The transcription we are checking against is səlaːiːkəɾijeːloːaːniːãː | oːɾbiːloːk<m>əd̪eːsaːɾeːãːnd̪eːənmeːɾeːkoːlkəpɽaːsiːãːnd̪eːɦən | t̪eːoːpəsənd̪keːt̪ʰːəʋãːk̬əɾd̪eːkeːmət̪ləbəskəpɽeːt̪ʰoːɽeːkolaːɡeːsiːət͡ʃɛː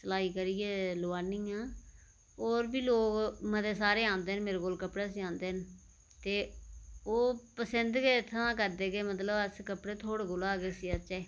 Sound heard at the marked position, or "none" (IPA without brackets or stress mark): m